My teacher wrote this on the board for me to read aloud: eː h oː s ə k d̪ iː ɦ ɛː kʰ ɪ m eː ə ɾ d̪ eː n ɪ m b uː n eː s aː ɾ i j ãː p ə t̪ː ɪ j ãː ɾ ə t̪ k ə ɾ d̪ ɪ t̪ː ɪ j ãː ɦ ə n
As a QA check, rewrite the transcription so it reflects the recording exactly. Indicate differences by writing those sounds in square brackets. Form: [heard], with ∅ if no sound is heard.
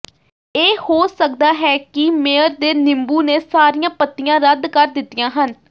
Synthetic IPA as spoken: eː h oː s ə k d̪ [aː] ɦ ɛː [k] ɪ m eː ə ɾ d̪ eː n ɪ m b uː n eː s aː ɾ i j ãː p ə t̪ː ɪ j ãː ɾ ə [d̪] k ə ɾ d̪ ɪ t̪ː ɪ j ãː ɦ ə n

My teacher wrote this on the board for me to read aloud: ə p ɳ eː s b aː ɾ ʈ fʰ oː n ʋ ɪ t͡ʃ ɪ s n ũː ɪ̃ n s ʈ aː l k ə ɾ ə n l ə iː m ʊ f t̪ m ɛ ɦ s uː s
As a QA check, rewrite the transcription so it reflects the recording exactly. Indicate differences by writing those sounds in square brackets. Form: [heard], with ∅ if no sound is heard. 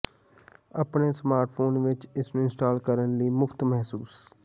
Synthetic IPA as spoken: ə p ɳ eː s [m] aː ɾ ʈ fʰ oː n ʋ ɪ t͡ʃ ɪ s n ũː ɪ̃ n s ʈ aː l k ə ɾ ə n l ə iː m ʊ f t̪ m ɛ ɦ s uː s

